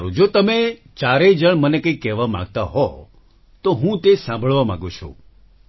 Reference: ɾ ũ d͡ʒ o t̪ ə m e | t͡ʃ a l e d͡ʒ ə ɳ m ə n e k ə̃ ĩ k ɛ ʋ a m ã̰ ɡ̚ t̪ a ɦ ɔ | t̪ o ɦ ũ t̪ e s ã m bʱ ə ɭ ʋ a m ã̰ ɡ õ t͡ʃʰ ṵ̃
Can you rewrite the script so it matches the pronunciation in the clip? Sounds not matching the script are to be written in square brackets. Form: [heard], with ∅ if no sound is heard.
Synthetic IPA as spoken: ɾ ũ d͡ʒ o t̪ ə m e | t͡ʃ a [ɾ] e d͡ʒ ə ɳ m ə n e k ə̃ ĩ k ɛ ʋ a m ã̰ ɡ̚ t̪ a ɦ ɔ | t̪ o ɦ ũ t̪ e s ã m bʱ ə ɭ ʋ a m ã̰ ɡ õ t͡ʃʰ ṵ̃